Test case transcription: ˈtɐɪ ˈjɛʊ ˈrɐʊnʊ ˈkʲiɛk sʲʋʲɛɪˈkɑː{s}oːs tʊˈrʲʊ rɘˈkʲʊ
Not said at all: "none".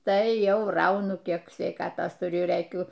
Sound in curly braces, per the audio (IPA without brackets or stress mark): t